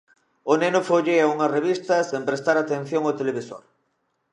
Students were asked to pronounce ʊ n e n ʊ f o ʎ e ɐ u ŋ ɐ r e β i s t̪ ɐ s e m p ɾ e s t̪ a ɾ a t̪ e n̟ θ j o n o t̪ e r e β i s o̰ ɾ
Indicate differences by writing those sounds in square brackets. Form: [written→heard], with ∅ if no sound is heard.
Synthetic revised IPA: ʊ n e n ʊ f o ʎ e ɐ u ŋ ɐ r e β i s t̪ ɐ s e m p ɾ e s t̪ a ɾ a t̪ e n̟ θ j o [n→ŋ] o t̪ e [r→l] e β i s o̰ ɾ